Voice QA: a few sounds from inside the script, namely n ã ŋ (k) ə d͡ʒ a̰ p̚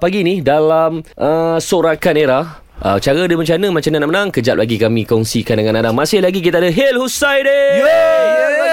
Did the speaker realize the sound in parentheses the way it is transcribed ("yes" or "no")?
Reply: yes